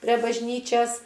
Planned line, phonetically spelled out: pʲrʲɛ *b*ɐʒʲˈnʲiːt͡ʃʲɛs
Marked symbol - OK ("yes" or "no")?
yes